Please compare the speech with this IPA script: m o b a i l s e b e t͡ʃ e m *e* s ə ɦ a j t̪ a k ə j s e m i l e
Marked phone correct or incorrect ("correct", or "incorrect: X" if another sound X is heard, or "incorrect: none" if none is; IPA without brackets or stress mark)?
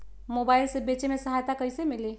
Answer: correct